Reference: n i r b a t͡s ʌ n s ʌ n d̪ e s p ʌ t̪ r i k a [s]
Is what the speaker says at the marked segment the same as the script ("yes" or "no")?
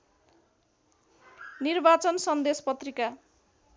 no